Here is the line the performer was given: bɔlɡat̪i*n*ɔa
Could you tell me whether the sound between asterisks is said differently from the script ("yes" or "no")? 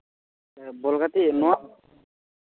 no